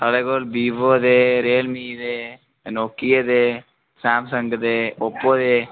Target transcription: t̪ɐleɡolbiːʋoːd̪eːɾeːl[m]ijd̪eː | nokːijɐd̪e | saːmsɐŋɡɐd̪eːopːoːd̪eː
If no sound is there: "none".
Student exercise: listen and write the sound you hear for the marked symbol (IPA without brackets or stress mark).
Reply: m